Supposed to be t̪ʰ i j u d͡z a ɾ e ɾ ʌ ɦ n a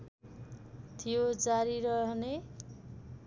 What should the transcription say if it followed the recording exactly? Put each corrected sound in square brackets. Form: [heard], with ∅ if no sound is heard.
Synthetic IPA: t̪ʰ i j [o] d͡z a ɾ [i] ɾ ʌ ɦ n [e]

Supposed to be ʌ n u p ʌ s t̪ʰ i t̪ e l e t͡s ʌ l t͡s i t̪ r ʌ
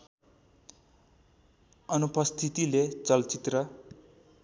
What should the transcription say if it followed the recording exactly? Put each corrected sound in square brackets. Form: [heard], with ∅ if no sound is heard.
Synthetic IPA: ʌ n u p ʌ s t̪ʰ i t̪ [i] l e t͡s ʌ l t͡s i t̪ r ʌ

